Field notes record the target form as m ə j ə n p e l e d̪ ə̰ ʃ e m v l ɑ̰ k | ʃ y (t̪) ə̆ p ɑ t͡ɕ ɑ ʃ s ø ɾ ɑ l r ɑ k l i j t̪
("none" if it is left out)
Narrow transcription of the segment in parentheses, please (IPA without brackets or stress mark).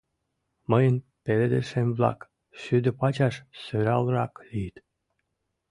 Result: d̪